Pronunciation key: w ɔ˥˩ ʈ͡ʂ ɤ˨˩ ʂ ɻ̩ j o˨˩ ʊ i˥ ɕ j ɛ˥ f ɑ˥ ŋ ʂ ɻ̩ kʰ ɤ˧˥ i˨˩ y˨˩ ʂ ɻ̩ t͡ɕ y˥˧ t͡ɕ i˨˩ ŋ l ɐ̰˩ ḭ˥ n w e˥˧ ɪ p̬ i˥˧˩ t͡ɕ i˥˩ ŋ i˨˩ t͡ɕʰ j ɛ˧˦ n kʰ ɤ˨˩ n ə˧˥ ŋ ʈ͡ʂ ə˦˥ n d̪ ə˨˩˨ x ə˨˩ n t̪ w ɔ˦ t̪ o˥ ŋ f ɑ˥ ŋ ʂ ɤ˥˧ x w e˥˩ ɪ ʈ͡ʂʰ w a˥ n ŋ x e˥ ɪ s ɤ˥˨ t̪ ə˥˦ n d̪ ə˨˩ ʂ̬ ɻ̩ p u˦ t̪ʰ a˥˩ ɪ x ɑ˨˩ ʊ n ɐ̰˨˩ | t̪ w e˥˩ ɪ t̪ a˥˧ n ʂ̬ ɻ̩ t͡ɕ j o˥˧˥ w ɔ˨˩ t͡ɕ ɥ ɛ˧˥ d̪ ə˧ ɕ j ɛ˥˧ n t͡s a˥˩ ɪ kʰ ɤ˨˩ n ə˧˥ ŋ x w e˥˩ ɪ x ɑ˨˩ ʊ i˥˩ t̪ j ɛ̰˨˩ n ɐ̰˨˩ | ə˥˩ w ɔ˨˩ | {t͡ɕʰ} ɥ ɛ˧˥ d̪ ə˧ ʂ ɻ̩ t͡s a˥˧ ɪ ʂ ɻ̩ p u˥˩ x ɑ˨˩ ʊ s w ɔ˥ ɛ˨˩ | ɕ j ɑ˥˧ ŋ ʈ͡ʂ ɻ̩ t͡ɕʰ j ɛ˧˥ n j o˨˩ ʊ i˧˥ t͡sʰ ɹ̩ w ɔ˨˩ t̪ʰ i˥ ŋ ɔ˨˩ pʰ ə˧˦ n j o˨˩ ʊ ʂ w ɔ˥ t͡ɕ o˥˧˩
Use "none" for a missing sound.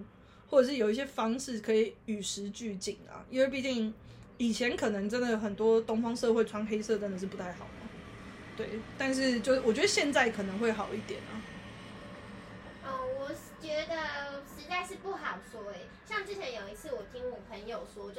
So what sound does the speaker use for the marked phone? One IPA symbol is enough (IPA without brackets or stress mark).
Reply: t͡ɕ